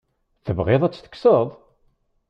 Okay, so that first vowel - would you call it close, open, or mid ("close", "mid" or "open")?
mid